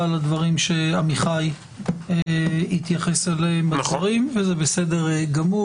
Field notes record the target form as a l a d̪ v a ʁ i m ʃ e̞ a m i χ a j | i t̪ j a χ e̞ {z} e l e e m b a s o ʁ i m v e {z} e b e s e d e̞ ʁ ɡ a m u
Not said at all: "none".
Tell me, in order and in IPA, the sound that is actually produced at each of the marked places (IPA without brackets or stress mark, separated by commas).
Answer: s, z